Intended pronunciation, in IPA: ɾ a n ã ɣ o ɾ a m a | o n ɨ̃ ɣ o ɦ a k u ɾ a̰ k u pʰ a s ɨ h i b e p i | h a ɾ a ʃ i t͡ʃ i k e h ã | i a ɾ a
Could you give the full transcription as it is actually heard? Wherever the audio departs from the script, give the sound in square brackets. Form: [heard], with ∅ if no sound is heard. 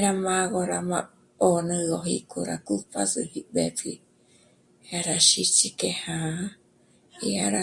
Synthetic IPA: ɾ a [m] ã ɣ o ɾ a m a | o n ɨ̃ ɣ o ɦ [i] k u ɾ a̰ k u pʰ a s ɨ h i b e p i | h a ɾ a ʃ i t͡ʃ i k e h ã | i a ɾ a